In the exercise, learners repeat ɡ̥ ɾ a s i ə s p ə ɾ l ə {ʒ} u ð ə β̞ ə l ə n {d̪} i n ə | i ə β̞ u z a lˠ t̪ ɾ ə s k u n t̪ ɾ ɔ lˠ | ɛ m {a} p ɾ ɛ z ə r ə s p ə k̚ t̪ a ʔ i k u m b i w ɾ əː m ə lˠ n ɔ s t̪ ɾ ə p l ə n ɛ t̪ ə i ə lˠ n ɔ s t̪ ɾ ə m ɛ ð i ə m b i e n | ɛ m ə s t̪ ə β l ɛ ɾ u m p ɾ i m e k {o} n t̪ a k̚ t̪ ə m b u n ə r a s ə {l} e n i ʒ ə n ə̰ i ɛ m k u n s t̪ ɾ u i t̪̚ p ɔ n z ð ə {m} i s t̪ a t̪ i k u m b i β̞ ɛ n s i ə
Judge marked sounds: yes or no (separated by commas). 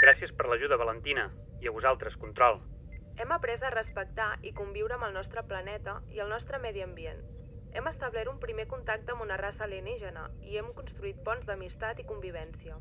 yes, no, no, no, yes, yes